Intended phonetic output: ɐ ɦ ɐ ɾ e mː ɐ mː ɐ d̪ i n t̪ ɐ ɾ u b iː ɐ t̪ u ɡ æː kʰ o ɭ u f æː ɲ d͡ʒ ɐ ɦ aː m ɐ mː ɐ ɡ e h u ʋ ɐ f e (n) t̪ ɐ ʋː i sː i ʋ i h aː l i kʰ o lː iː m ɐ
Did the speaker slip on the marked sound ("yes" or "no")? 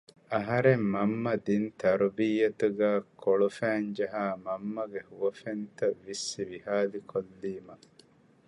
no